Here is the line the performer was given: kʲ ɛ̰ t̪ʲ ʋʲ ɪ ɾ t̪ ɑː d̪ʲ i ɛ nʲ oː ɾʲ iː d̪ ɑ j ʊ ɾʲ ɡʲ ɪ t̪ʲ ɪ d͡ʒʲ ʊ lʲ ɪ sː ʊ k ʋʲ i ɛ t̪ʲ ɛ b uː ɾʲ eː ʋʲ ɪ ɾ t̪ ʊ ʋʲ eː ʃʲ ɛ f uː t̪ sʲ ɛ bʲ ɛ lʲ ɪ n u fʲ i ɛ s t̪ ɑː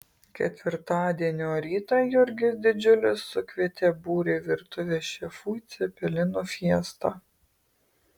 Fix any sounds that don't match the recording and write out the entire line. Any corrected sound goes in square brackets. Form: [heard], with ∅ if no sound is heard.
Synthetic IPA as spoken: kʲ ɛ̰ t̪ʲ ʋʲ ɪ ɾ t̪ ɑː d̪ʲ i ɛ nʲ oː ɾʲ iː [t̪] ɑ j ʊ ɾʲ ɡʲ ɪ [d̪ʲ] ɪ d͡ʒʲ ʊ lʲ ɪ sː ʊ k ʋʲ i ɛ t̪ʲ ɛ b uː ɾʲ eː ʋʲ ɪ ɾ t̪ ʊ ʋʲ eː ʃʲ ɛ f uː t̪ sʲ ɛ [pʲ] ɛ lʲ ɪ n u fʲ i ɛ s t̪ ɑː